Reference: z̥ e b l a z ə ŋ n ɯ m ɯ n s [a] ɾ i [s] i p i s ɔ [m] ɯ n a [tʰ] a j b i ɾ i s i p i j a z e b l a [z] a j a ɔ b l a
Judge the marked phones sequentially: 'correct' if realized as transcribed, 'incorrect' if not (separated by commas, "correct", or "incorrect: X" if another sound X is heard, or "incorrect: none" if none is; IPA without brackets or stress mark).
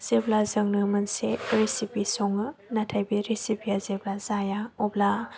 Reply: incorrect: e, correct, incorrect: ŋ, correct, correct